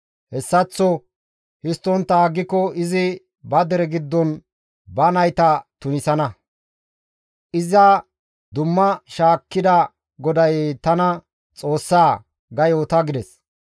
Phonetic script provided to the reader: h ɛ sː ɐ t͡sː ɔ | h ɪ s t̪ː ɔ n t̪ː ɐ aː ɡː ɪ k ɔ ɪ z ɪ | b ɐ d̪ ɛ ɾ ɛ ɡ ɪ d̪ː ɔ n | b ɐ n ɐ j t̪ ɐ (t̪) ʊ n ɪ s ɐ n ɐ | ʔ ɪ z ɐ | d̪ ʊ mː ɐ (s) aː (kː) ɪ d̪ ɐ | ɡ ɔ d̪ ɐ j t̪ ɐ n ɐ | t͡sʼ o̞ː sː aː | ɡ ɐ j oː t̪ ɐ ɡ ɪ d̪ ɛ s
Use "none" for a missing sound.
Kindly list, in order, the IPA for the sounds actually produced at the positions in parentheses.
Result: t̪, ʃ, kː

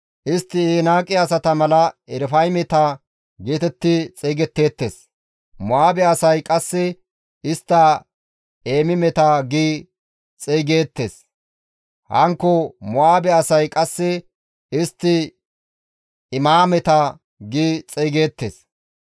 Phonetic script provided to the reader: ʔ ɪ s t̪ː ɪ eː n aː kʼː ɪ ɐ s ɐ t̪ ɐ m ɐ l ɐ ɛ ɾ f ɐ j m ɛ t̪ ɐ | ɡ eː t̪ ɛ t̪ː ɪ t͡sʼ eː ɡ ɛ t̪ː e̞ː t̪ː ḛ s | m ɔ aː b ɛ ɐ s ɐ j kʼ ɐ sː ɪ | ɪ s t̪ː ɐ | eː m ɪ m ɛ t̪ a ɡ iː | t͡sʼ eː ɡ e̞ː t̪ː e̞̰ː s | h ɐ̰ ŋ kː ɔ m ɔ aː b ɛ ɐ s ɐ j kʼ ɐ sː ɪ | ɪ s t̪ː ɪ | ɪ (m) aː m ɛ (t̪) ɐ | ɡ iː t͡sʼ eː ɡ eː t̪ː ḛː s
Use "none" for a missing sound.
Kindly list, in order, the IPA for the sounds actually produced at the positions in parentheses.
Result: m, t̪

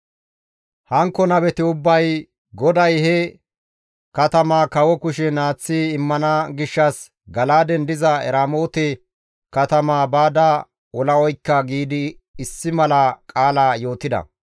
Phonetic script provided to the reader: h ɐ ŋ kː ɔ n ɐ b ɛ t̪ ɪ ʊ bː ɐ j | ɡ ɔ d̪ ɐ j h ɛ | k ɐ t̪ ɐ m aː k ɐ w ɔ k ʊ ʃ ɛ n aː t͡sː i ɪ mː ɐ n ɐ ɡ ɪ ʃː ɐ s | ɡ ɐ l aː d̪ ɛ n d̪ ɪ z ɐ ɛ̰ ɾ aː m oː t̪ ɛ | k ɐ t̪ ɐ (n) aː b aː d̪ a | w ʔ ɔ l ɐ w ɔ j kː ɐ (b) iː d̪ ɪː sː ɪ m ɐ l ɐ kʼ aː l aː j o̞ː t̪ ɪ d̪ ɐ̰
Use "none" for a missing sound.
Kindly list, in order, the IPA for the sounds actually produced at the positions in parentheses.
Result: m, ɡ

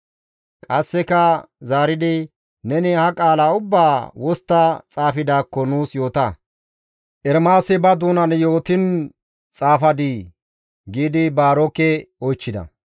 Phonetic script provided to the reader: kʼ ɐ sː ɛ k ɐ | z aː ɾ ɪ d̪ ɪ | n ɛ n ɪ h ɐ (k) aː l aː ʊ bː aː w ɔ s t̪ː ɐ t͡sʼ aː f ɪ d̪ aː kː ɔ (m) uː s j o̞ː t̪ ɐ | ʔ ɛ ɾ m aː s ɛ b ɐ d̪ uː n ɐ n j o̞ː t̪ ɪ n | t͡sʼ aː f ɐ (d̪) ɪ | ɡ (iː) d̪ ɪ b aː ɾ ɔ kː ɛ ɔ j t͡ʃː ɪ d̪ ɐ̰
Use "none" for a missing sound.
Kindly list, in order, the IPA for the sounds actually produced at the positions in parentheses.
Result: kʼ, n, d̪, iː

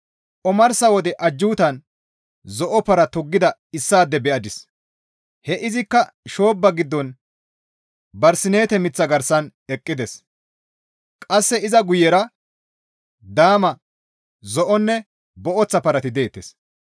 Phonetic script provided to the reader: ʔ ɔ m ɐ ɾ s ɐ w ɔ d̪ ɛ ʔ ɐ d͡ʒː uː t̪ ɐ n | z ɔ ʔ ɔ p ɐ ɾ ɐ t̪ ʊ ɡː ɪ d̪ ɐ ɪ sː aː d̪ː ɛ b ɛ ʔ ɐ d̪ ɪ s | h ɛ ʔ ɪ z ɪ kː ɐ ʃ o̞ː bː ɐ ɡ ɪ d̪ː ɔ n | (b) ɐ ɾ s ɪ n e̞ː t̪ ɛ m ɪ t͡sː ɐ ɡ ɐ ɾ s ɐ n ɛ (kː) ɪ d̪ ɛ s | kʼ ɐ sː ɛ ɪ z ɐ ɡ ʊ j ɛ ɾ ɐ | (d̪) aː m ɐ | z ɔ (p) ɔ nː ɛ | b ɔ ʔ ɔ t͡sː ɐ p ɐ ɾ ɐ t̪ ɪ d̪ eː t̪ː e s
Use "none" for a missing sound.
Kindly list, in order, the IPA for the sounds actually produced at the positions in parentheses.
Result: b, kʼː, d̪, ʔ

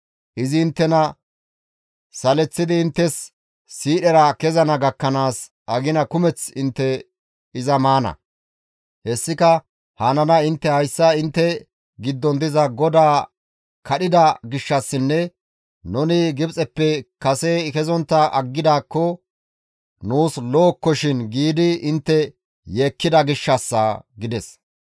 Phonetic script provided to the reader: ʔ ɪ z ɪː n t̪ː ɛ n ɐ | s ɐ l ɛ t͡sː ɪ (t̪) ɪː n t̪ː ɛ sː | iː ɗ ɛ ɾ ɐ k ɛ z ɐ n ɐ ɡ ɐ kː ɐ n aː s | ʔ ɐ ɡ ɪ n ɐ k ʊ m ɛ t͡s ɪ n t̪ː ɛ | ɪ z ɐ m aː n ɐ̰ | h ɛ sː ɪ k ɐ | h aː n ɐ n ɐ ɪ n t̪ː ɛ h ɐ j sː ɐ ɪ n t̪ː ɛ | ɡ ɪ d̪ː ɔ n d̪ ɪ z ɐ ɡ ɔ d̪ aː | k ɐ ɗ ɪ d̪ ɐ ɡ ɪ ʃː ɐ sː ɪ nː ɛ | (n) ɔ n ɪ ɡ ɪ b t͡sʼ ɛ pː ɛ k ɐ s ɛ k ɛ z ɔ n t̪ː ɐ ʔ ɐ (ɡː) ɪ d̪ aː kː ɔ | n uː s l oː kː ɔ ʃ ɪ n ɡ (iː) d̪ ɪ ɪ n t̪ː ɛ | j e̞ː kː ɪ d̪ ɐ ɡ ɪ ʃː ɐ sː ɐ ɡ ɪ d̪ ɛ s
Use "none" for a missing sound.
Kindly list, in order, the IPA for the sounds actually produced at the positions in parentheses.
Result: d̪, n, ɡː, iː

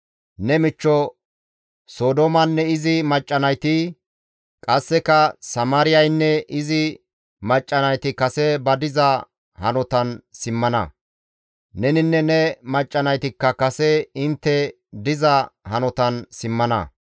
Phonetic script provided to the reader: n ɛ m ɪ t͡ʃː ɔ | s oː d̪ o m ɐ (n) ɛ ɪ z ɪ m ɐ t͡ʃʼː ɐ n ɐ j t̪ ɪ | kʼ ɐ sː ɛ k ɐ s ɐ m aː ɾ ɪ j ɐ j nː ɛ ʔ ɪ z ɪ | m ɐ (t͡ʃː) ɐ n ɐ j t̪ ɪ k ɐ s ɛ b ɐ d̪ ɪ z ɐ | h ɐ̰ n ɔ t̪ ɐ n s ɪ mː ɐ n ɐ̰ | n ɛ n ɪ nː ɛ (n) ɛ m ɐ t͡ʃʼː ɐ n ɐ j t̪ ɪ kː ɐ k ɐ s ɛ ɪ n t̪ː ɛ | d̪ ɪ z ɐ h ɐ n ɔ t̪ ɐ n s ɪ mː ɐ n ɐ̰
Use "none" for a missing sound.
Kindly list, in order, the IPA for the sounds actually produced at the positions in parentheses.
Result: nː, t͡ʃʼː, n

